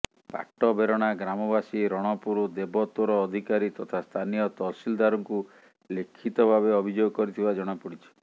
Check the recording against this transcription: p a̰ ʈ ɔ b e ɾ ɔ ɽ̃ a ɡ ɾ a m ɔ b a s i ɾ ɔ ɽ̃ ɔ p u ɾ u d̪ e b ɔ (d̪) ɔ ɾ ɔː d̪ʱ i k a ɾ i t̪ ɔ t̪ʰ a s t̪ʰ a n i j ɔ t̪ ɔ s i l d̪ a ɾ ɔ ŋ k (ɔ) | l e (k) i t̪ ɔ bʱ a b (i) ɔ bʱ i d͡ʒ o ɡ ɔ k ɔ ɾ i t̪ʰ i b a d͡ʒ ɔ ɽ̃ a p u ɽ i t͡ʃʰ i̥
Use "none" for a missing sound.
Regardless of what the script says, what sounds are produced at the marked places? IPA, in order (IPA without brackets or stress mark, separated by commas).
t̪, u, kʰ, e